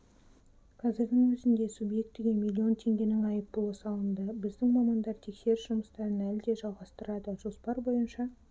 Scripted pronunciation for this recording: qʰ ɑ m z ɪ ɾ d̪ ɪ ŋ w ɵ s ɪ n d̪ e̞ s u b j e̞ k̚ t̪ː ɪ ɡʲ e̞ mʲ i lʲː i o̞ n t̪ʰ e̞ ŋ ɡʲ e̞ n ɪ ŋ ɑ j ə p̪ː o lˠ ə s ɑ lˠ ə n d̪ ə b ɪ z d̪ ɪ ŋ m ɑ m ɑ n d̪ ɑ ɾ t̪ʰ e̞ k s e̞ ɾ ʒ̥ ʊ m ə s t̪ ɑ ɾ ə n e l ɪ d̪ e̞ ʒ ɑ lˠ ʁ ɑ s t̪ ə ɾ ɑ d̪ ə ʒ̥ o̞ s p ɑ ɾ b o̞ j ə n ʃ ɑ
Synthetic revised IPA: qʰ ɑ z ɪ ɾ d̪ ɪ ŋ w ɵ z ɪ n d̪ e̞ s u b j e̞ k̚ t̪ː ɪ ɡʲ e̞ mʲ i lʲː i o̞ n t̪ʰ e̞ ŋ ɡʲ e̞ n ɪ ŋ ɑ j ə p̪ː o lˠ ə s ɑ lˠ ə n d̪ ə b ɪ z d̪ ɪ ŋ m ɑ m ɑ n d̪ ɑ ɾ t̪ʰ e̞ k s e̞ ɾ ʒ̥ ʊ m ə s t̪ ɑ ɾ ə n æ l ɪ d̪ e̞ ʒ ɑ lˠ ʁ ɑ s t̪ ə ɾ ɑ d̪ ə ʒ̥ o̞ s p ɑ ɾ b o̞ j ə n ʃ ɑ